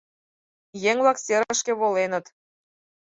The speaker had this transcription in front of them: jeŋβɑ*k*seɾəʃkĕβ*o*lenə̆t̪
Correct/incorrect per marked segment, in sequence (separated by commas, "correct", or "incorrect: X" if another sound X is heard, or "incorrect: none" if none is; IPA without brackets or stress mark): correct, correct